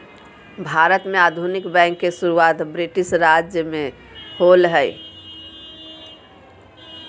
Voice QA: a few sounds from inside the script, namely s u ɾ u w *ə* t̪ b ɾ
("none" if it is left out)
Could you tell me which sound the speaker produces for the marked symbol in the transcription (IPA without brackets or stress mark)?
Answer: a